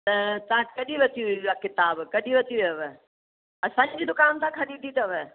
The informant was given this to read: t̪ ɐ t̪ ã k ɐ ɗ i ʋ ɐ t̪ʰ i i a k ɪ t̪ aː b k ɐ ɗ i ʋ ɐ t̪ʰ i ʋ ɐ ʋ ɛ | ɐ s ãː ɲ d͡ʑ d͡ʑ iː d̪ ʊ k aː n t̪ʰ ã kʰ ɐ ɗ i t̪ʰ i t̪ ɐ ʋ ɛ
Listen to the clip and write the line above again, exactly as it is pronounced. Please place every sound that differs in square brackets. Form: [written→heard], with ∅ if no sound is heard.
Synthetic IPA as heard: t̪ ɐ t̪ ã k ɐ ɗ i ʋ ɐ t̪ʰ i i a k ɪ t̪ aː b k ɐ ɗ i ʋ ɐ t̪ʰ i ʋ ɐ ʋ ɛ | ɐ s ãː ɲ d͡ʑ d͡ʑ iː d̪ ʊ k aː n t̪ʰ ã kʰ ɐ ɗ i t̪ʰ i t̪ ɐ ʋ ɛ